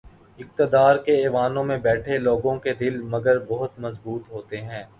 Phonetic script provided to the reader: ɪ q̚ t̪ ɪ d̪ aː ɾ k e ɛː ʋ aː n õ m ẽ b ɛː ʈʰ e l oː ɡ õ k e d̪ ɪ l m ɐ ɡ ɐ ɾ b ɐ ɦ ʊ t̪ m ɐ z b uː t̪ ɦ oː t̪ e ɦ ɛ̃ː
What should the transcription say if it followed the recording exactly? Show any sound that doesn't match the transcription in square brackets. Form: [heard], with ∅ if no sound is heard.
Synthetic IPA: ɪ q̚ t̪ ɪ d̪ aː ɾ k e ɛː ʋ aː n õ m ẽ b ɛː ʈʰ e l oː ɡ õ k e d̪ ɪ l m ɐ ɡ [ə] ɾ b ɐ ɦ ʊ t̪ m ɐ z b uː t̪ ɦ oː t̪ e ɦ ɛ̃ː